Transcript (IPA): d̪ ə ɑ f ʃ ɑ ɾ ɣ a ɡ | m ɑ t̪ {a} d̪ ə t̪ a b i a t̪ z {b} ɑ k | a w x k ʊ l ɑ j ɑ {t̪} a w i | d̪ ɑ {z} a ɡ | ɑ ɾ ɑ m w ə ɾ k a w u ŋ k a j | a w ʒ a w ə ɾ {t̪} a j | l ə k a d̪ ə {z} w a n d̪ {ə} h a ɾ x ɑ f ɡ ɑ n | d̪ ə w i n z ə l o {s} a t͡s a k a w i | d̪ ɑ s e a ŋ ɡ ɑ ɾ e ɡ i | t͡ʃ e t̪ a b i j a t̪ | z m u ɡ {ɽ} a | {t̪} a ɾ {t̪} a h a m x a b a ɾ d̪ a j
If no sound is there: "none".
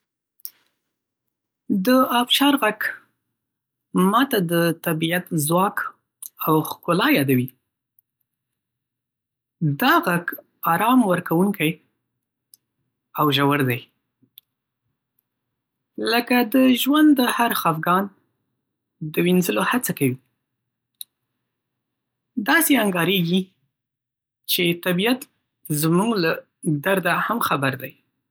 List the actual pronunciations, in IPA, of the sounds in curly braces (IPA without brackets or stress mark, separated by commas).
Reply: a, w, d̪, ɣ, d̪, ʒ, ə, h, l, d̪, d̪